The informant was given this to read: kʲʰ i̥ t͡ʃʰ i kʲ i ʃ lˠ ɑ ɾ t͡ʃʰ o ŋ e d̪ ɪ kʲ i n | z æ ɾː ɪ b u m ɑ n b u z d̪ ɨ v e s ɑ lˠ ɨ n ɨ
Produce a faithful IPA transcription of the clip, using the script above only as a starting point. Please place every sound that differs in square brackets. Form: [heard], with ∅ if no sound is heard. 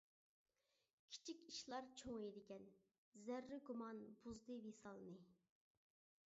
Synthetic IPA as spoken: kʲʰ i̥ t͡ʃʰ i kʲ i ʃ lˠ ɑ ɾ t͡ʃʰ o ŋ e d̪ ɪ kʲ [ɛ] n | z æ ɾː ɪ [ɡ] u m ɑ n b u z d̪ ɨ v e s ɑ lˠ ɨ n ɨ